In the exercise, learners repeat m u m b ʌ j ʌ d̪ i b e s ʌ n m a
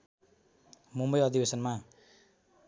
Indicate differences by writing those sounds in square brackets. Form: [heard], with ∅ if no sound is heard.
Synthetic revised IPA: m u m b ʌ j ʌ d̪ i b e s ʌ n m a